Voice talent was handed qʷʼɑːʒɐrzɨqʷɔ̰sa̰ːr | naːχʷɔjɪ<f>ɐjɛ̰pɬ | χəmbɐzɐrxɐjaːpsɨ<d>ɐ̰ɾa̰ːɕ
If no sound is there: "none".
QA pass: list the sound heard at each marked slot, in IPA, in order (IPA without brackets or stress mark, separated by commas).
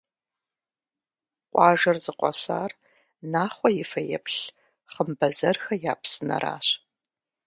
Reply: f, n